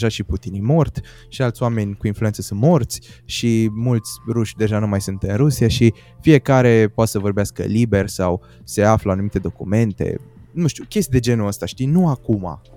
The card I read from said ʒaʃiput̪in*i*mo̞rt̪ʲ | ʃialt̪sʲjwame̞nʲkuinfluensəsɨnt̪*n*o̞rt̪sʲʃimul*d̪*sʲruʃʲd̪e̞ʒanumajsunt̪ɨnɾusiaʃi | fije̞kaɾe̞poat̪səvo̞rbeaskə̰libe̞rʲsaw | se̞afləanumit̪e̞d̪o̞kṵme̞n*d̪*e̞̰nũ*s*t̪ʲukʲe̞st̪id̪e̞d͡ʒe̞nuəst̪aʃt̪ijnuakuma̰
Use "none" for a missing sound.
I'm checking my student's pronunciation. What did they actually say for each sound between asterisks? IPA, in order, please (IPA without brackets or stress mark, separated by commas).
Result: i, m, t̪, t̪, ʃ